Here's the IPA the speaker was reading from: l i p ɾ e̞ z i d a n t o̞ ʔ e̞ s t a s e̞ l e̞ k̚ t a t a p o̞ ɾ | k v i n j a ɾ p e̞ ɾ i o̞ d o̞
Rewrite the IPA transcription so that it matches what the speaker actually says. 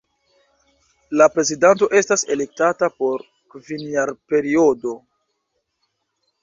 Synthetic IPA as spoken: l a p ɾ e̞ z i d a n t o̞ ʔ e̞ s t a s e̞ l e̞ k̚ t a t a p o̞ ɾ | k v i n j a ɾ p e̞ ɾ i o̞ d o̞